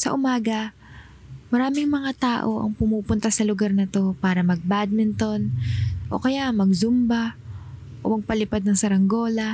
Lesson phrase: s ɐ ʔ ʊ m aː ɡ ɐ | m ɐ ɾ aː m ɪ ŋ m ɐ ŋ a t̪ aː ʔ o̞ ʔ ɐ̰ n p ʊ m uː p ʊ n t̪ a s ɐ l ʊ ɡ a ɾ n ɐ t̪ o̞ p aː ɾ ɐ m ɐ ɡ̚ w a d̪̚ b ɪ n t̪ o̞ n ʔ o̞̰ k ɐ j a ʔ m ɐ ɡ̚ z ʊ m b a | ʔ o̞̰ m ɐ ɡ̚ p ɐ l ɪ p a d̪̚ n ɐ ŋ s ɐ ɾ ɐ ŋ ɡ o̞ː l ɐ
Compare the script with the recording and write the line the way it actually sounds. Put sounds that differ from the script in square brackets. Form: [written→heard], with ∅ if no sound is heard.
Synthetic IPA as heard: s ɐ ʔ ʊ m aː ɡ ɐ | m ɐ ɾ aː m ɪ ŋ m ɐ ŋ a t̪ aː ʔ o̞ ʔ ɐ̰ [n→ŋ] p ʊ m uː p ʊ n t̪ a s ɐ l ʊ ɡ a ɾ n ɐ t̪ o̞ p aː ɾ ɐ m ɐ ɡ̚ [w→b] a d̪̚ [b→m] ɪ n t̪ o̞ n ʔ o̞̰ k ɐ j a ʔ m ɐ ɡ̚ z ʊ m b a | ʔ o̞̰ m ɐ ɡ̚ p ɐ l ɪ p a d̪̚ n ɐ ŋ s ɐ ɾ ɐ ŋ ɡ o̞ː l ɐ